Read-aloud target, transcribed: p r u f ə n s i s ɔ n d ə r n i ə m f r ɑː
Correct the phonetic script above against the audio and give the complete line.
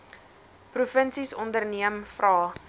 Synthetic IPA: p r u f ə n s i s ɔ n d ə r n i ə m f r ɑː